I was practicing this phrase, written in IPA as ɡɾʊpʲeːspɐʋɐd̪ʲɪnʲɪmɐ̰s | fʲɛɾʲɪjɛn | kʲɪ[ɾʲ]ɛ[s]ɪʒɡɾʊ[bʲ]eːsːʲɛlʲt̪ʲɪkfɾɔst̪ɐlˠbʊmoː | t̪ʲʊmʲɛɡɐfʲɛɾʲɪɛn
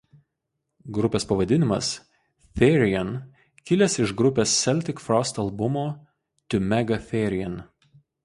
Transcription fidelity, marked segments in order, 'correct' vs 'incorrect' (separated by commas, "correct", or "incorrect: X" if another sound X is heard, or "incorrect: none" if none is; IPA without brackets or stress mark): incorrect: lʲ, correct, incorrect: pʲ